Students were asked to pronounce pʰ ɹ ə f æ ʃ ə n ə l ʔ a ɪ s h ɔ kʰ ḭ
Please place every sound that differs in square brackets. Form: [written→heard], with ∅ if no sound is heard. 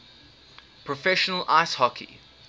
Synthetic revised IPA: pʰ ɹ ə f [æ→ɛ] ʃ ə n ə l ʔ a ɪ s h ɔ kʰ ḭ